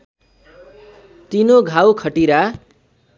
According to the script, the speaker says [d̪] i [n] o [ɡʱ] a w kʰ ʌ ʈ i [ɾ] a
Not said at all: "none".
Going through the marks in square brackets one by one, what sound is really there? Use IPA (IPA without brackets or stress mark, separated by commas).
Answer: t̪, n, ɡʱ, ɾ